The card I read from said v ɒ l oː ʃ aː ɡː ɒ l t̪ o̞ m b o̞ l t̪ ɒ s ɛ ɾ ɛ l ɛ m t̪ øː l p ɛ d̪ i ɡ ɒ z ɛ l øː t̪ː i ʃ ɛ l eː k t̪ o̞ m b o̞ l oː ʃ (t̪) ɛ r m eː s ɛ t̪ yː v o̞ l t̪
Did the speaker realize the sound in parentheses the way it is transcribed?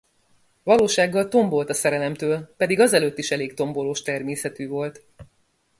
yes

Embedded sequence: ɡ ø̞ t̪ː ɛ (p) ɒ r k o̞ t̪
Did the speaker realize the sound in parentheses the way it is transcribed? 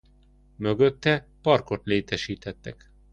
yes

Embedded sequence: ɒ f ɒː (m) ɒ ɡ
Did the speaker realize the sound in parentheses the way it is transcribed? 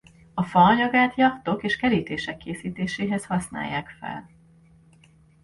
no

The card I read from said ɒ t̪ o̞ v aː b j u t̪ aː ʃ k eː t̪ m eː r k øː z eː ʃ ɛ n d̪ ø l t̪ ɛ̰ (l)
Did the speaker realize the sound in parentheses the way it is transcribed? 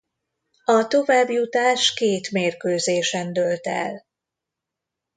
yes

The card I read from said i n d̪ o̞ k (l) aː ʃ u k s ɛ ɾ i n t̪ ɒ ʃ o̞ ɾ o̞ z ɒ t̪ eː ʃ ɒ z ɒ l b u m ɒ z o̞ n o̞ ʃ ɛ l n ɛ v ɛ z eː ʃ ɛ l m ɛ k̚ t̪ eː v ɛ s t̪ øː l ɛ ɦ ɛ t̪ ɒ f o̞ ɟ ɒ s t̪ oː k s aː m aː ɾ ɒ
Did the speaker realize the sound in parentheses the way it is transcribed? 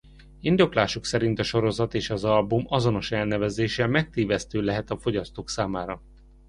yes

